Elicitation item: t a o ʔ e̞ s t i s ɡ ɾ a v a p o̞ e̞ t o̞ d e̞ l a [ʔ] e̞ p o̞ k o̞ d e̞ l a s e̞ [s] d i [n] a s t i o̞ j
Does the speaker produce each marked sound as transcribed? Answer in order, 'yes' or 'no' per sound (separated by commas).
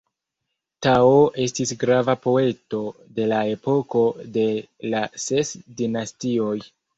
no, yes, yes